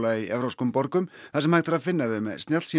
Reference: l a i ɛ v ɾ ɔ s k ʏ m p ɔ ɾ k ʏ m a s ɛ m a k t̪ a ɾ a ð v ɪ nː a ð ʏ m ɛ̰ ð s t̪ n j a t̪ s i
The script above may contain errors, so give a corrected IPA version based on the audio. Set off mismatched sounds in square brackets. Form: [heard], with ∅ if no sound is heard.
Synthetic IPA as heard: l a i ɛ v ɾ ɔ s k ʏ m p ɔ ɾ k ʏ m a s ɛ m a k t̪ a ɾ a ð [f] ɪ nː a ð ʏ m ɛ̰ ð s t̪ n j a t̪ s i